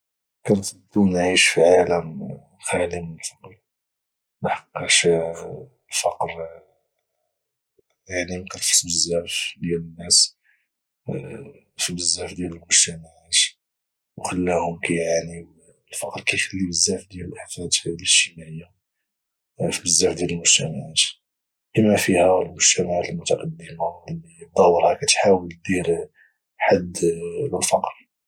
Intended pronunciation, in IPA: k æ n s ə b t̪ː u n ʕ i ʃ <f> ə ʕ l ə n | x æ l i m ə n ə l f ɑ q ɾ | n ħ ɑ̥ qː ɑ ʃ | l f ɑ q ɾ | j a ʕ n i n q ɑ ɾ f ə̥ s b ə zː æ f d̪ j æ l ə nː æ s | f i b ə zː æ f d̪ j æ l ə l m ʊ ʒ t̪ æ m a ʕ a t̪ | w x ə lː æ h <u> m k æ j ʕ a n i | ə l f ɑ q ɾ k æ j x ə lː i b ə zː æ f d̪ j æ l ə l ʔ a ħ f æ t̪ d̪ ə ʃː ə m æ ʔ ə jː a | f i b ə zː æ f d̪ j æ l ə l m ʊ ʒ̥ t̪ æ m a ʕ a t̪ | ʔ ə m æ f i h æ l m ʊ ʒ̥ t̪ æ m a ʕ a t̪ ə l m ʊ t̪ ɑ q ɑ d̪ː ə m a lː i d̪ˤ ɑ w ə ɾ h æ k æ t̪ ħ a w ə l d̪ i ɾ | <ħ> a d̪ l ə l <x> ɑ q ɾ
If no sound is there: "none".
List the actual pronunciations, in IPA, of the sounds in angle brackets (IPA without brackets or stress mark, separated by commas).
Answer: f, ʊ, ħ, f